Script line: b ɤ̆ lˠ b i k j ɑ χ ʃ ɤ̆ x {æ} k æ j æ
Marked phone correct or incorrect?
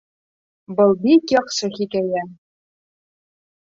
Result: incorrect